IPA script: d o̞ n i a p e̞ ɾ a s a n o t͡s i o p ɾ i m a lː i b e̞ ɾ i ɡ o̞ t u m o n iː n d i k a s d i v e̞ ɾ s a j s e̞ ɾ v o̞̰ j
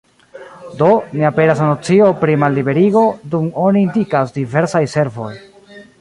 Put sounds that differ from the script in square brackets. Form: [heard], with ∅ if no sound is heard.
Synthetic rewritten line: d o̞ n i a p e̞ ɾ a s a n o t͡s i o p ɾ i m a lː i b e̞ ɾ i ɡ o̞ [d] u m o n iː n d i k a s d i v e̞ ɾ s a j s e̞ ɾ v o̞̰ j